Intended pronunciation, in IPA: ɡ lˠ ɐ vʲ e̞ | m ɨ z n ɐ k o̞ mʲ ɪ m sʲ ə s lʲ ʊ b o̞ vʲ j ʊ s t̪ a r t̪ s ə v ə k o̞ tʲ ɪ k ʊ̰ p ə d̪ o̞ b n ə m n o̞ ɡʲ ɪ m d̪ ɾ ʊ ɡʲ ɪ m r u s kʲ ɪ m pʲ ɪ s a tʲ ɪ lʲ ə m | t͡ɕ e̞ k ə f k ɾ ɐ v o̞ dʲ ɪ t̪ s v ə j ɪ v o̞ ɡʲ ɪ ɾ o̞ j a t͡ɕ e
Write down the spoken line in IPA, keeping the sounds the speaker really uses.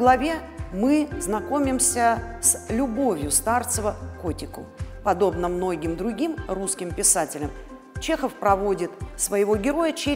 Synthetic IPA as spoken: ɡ lˠ ɐ vʲ e̞ | m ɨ z n ɐ k o̞ mʲ ɪ m sʲ ə s lʲ ʊ b o̞ vʲ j ʊ s t̪ a r t̪ s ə v ə k o̞ tʲ ɪ k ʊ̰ p ɐ d̪ o̞ b n ə m n o̞ ɡʲ ɪ m d̪ ɾ ʊ ɡʲ i m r u s kʲ ɪ m pʲ ɪ s a tʲ ɪ lʲ ə m | t͡ɕ e̞ x ə f p ɾ ɐ v o̞ dʲ ɪ t̪ s v ə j ɪ v o̞ ɡʲ ɪ ɾ o̞ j ə t͡ɕ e

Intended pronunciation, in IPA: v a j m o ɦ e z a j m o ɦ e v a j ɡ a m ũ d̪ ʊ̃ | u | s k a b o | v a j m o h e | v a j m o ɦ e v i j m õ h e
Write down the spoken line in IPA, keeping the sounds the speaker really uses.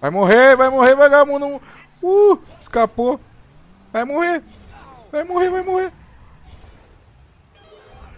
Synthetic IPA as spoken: v a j m o ɦ e v a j m o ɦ e v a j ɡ a m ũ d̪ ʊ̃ | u | s k a p o | v a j m o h e | v a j m o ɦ e v a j m o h e

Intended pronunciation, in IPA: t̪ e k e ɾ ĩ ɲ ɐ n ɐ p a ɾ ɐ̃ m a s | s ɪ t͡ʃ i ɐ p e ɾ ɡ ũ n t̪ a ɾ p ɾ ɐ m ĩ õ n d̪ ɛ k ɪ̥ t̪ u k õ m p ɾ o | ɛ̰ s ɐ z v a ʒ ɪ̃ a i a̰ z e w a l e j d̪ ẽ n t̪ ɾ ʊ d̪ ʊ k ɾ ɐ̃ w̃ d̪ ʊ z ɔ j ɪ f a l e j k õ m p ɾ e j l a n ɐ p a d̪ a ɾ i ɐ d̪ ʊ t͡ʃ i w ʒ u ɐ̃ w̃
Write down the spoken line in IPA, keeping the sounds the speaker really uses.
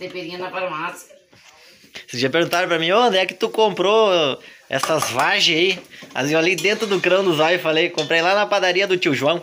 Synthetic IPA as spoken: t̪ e p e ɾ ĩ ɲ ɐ n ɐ p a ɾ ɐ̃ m a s | s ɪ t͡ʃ i ɐ p e ɾ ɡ ũ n t̪ a ɾ p ɾ ɐ m ĩ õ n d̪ ɛ k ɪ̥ t̪ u k õ m p ɾ o | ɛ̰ s ɐ z v a ʒ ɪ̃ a i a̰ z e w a l e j d̪ ẽ n t̪ ɾ ʊ d̪ ʊ k ɾ ɐ̃ w̃ d̪ ʊ z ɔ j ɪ f a l e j k õ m p ɾ e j l a n ɐ p a d̪ a ɾ i ɐ d̪ ʊ t͡ʃ i w ʒ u ɐ̃ w̃

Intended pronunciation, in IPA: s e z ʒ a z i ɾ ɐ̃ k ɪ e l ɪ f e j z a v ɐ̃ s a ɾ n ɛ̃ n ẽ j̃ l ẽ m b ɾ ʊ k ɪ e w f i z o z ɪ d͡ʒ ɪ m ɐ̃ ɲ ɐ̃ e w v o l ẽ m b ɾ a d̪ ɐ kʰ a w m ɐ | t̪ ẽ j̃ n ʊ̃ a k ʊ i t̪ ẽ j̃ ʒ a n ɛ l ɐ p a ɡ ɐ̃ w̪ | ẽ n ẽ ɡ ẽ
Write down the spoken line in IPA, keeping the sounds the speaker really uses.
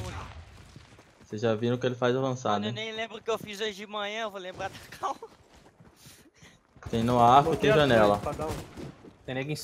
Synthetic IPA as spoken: s e z ʒ a v i ɾ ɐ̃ k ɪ e l ɪ f a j z a v ɐ̃ s a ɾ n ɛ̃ n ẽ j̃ l ẽ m b ɾ ʊ k ɪ e w f i z o ʒ ɪ d͡ʒ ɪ m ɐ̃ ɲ ɐ̃ e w v o l ẽ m b ɾ a d̪ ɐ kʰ a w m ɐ | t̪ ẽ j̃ n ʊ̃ a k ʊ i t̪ ẽ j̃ ʒ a n ɛ l ɐ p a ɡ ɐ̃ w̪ | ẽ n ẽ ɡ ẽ

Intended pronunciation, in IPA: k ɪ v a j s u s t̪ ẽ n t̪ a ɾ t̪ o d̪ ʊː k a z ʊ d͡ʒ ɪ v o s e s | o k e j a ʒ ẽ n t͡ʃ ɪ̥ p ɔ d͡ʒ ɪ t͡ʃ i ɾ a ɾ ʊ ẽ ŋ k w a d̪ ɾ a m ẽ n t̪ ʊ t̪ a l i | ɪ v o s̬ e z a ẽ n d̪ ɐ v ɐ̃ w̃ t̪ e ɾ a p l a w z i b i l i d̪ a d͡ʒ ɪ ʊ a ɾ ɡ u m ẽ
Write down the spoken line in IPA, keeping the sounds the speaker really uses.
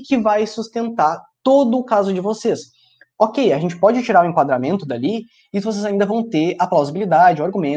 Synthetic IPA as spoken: k ɪ v a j s u s t̪ ẽ n t̪ a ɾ t̪ o d̪ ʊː k a z ʊ d͡ʒ ɪ v o s e s | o k e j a ʒ ẽ n t͡ʃ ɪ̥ p ɔ d͡ʒ ɪ t͡ʃ i ɾ a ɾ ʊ ẽ ŋ k w a d̪ ɾ a m ẽ n t̪ ʊ d̪ a l i | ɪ v o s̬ e z a ĩ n d̪ ɐ v ɐ̃ w̃ t̪ e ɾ a p l a w z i b i l i d̪ a d͡ʒ ɪ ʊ a ɾ ɡ u m ẽ

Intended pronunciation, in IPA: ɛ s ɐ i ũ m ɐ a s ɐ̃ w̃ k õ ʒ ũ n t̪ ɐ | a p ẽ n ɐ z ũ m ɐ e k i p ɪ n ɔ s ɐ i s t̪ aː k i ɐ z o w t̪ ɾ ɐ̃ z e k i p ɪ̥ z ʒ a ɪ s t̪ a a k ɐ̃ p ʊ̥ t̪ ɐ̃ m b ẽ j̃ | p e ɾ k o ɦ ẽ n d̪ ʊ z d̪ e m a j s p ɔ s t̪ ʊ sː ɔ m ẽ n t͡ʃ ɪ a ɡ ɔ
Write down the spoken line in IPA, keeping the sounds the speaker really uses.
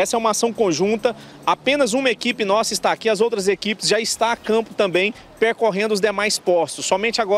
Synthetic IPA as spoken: ɛ s ɐ ɛ ũ m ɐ a s ɐ̃ w̃ k õ ʒ ũ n t̪ ɐ | a p ẽ n ɐ z ũ m ɐ e k i p ɪ n ɔ s ɐ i s t̪ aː k i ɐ z o w t̪ ɾ ɐ z e k i p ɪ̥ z ʒ a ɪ s t̪ a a k ɐ̃ p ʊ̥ t̪ ɐ̃ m b ẽ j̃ | p e ɾ k o ɦ ẽ n d̪ ʊ z d̪ e m a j s p ɔ s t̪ ʊ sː ɔ m ẽ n t͡ʃ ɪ a ɡ ɔ

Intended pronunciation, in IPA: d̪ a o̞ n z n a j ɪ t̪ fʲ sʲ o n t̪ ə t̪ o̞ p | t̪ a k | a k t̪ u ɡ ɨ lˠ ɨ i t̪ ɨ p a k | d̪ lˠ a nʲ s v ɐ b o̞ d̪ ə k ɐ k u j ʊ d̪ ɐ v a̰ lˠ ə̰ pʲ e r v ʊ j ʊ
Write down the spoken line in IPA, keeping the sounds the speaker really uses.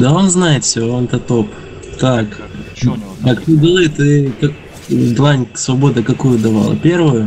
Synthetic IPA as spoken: d̪ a o̞ n z n a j ɪ t̪ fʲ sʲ o n t̪ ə t̪ o̞ p | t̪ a k | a k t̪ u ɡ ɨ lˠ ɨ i t̪ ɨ k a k | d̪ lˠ a nʲ s v ɐ b o̞ d̪ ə k ɐ k u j ʊ d̪ ɐ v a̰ lˠ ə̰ pʲ e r v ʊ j ʊ

